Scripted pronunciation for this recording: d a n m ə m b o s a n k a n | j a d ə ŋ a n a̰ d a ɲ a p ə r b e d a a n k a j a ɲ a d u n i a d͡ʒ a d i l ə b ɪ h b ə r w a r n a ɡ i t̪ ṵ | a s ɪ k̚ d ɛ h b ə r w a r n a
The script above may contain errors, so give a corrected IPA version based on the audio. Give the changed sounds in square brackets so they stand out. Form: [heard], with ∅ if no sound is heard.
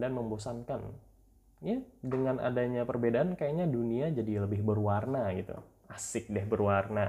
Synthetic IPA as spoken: d a n m ə m b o s a n k a n | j a d ə ŋ a n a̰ d a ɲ a p ə r b e d a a n k a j a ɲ a d u n i a d͡ʒ a d i l ə b ɪ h b ə r w a r n a ɡ i t̪ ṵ | a s ɪ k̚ d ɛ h b ə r w a r n a